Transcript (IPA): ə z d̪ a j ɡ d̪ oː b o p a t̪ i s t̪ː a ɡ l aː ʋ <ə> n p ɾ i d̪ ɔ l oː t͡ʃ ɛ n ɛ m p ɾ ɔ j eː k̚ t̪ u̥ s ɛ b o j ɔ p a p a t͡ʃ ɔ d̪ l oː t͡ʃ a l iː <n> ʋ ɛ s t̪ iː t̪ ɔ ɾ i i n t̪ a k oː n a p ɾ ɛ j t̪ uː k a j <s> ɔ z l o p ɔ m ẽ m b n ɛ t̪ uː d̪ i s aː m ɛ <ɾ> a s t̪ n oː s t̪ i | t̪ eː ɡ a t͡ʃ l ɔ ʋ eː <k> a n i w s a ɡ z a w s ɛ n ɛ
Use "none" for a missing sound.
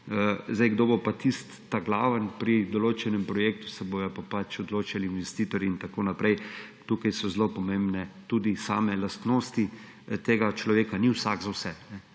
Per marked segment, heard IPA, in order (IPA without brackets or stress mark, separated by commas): ə, n, s, l, k